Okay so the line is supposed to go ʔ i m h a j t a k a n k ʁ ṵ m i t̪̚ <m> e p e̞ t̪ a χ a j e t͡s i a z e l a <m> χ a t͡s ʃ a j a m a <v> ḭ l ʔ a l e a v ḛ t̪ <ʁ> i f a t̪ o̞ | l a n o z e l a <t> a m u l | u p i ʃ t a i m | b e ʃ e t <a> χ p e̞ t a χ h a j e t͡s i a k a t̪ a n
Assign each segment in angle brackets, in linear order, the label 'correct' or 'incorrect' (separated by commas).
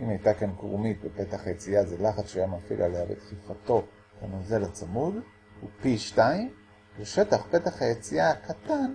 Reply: incorrect, incorrect, incorrect, incorrect, incorrect, correct